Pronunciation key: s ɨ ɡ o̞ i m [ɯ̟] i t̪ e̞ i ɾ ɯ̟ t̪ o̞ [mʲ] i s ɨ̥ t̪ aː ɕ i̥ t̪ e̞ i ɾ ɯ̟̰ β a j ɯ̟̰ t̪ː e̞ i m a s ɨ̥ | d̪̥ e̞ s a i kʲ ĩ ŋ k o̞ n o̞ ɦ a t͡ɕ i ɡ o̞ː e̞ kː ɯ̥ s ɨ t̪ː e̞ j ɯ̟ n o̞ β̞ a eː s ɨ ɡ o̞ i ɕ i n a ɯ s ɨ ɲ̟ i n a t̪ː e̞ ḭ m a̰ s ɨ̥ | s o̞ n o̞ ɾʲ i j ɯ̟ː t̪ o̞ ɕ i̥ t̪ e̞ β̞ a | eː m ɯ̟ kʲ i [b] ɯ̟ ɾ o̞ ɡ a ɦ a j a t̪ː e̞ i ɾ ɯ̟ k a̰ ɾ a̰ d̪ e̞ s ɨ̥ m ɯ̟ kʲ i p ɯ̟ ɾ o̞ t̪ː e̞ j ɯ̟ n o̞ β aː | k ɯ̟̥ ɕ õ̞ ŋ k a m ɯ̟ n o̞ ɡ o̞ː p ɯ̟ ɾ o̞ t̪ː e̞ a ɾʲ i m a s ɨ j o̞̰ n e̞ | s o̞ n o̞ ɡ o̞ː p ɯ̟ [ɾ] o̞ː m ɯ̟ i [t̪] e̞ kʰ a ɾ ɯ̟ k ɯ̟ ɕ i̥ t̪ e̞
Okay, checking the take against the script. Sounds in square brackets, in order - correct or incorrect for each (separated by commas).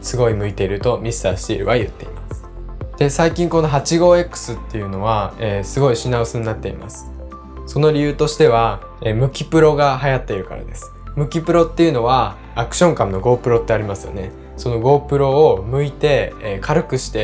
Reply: correct, correct, incorrect, correct, correct